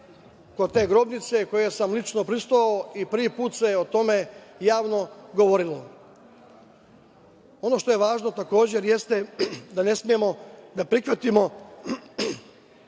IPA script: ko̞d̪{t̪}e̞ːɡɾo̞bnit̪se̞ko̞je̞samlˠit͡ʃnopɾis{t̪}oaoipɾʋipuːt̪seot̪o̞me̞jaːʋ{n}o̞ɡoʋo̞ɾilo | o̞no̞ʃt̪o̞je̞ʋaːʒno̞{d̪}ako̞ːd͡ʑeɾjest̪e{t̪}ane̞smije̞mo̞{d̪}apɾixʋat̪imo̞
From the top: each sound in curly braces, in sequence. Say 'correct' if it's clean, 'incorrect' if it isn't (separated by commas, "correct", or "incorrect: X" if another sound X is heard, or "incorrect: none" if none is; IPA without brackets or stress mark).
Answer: correct, correct, correct, incorrect: t̪, incorrect: d̪, correct